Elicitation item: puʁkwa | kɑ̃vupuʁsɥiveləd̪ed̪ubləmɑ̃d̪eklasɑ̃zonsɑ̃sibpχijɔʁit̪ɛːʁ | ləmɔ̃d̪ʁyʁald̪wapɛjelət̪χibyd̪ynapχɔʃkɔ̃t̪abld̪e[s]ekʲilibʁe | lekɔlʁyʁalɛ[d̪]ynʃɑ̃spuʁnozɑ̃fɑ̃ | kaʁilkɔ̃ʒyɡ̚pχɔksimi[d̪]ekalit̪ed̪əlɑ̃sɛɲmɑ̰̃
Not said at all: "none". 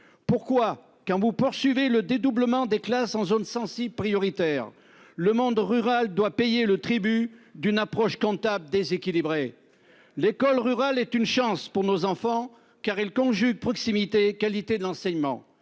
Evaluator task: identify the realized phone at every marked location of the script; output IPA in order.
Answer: z, t̪, t̪

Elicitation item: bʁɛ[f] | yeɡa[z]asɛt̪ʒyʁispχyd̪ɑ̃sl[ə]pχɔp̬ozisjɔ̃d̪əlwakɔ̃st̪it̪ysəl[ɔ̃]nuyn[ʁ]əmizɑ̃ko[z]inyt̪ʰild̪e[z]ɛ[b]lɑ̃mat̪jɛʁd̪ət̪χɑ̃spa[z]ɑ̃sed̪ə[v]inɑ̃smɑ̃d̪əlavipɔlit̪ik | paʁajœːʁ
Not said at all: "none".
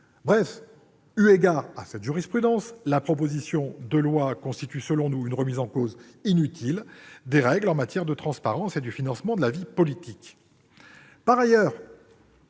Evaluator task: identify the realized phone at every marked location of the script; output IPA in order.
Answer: f, ʁ, a, ɔ̃, ʁ, z, ʁ, ɡ, ʁ, f

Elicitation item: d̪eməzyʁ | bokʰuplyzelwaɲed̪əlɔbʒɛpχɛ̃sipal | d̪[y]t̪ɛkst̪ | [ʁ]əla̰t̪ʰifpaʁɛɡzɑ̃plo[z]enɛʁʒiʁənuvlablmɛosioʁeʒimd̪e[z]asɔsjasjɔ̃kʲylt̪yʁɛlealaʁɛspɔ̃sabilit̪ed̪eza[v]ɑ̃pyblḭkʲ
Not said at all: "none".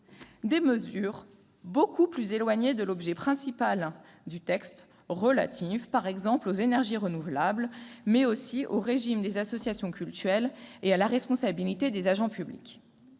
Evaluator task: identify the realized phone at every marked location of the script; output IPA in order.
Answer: y, ʁ, z, z, ʒ

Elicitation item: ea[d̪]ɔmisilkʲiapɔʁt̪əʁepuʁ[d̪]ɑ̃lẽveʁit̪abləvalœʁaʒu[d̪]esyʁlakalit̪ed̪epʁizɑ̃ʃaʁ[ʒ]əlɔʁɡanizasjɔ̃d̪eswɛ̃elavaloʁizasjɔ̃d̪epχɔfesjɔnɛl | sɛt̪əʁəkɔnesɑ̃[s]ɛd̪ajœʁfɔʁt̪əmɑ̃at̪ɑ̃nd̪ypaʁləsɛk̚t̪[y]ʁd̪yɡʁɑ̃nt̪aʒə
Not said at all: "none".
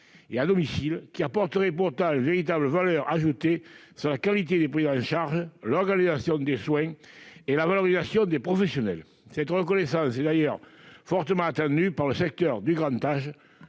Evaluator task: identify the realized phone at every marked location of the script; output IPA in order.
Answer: d̪, t̪, t̪, ʒ, s, œ

